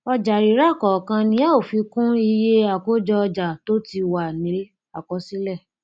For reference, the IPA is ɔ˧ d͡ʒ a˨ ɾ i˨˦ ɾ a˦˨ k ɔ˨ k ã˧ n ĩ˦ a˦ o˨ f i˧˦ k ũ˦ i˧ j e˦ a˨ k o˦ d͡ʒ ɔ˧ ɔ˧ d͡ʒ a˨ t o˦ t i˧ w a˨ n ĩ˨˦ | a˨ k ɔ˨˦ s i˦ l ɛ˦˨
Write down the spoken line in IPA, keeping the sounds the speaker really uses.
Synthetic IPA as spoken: ɔ˧ d͡ʒ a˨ ɾ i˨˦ ɾ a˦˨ k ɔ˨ k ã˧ n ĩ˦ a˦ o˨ f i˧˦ k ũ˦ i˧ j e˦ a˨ k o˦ d͡ʒ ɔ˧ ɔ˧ d͡ʒ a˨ t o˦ t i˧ w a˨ n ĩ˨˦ | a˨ k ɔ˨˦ s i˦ l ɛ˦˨